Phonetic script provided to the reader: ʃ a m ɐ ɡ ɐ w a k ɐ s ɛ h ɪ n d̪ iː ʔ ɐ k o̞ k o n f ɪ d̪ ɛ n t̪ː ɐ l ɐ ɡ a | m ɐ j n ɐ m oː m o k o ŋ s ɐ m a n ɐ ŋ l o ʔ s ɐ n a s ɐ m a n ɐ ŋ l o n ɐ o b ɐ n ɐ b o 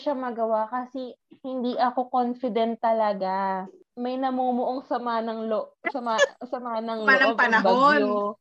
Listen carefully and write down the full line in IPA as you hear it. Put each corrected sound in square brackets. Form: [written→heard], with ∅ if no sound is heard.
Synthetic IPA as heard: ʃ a m ɐ ɡ ɐ w a k ɐ s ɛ h ɪ n d̪ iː ʔ ɐ k o̞ k o n f ɪ d̪ ɛ n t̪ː ɐ l ɐ ɡ a | m ɐ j n ɐ m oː m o [k→ʔ] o ŋ s ɐ m a n ɐ ŋ l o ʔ s ɐ [n→m] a s ɐ m a n ɐ ŋ l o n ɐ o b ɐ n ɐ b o